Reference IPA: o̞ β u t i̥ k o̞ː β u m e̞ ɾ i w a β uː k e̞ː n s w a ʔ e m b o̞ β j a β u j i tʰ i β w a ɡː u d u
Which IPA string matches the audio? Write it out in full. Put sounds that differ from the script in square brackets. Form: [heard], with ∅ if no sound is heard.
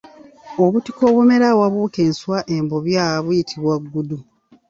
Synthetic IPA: o̞ β u t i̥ k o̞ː β u m e̞ ɾ [a] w a β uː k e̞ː n s w a ʔ e m b o̞ β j a β u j i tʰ i β w a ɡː u d u